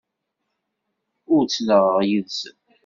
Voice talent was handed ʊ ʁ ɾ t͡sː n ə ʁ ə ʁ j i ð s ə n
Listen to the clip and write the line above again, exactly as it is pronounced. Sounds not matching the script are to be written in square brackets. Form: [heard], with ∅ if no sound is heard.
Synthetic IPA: ʊ [∅] ɾ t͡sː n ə ʁ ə ʁ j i ð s ə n

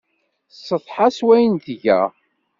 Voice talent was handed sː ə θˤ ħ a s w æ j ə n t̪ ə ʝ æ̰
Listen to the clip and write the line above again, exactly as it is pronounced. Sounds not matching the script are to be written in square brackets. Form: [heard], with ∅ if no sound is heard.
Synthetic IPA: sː ə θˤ ħ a s w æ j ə n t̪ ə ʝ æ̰

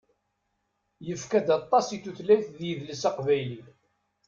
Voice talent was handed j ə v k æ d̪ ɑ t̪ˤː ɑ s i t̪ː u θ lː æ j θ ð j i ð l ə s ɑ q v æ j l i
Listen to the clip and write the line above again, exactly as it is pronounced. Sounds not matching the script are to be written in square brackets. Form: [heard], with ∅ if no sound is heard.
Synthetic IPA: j ə [f] k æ d̪ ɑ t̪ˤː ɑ s i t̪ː u θ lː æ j θ ð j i ð l ə s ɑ q v æ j l i

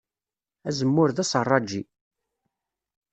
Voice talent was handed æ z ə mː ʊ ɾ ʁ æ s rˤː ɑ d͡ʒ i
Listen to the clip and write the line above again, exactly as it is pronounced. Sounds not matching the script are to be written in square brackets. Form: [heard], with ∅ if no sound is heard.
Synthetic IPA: æ z ə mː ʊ ɾ [ð] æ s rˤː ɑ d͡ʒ i

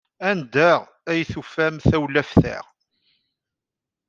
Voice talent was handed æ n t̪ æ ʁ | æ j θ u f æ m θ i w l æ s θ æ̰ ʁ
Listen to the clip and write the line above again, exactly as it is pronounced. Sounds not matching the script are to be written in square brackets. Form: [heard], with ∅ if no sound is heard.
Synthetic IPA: æ n [d̪] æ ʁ | æ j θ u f æ m θ [æ] w l æ [f] θ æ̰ ʁ

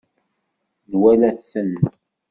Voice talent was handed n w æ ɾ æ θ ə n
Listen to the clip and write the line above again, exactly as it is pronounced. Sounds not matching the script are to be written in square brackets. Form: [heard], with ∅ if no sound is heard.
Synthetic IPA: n w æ [l] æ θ ə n

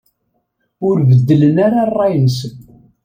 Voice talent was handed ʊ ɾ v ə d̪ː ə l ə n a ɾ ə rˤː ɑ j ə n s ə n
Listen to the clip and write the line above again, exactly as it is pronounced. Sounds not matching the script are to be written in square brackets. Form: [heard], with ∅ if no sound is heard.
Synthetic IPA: ʊ ɾ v ə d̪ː ə l ə n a ɾ [a] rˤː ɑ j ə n s ə n

